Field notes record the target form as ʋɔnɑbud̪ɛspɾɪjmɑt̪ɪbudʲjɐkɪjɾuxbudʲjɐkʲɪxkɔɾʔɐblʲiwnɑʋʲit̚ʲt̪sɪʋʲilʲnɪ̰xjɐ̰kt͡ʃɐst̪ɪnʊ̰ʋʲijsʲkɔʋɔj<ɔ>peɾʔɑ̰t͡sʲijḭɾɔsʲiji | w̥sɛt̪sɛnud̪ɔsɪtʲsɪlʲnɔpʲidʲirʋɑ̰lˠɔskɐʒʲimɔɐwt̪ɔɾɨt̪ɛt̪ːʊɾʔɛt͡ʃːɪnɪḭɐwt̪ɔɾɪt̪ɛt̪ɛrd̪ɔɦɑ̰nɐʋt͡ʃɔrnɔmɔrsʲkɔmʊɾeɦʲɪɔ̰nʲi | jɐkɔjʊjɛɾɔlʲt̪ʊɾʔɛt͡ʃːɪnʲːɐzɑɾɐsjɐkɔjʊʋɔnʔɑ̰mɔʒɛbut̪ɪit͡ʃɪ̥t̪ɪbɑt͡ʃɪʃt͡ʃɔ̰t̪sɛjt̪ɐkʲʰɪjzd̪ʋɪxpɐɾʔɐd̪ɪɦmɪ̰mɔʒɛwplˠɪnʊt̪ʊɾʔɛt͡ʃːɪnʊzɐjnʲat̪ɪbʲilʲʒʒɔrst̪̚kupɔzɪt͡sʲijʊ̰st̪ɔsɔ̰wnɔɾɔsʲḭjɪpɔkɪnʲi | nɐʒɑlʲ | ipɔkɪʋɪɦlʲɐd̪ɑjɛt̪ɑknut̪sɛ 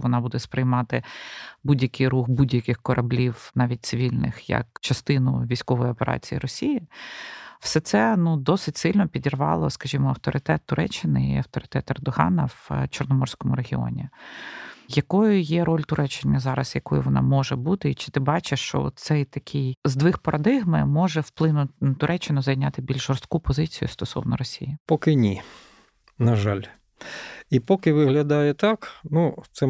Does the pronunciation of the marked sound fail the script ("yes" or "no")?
no